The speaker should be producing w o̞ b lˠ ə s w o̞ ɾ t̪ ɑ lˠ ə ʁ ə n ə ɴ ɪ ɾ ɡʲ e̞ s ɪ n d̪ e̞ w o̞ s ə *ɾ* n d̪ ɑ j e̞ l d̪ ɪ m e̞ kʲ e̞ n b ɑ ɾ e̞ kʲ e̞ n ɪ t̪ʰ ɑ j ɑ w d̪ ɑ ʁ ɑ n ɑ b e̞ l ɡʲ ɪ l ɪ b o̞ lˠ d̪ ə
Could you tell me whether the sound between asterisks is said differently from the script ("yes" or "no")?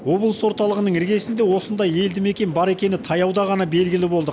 yes